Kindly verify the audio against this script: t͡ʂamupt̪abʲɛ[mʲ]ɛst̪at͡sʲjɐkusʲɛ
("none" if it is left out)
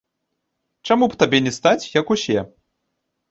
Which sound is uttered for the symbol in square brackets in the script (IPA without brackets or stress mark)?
nʲ